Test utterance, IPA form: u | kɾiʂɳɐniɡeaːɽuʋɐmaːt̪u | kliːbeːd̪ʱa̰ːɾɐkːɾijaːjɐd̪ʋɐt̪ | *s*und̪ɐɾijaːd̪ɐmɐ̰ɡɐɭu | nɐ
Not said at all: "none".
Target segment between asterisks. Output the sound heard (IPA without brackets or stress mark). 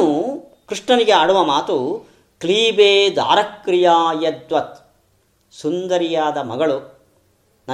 s